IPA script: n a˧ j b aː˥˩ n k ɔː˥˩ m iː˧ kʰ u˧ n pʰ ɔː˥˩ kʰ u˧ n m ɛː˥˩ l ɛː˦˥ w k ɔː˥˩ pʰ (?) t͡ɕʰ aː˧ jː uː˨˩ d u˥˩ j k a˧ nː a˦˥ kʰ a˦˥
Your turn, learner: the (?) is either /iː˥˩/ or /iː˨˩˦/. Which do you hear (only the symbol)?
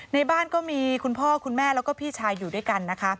iː˥˩